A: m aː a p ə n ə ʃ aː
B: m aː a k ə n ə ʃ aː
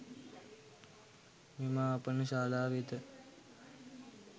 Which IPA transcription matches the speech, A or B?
A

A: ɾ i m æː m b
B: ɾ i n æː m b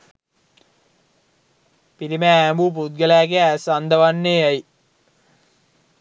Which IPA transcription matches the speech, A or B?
A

